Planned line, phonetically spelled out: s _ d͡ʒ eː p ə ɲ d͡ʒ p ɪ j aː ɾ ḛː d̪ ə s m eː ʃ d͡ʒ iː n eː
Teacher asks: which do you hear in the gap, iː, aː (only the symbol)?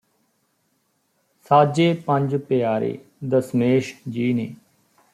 aː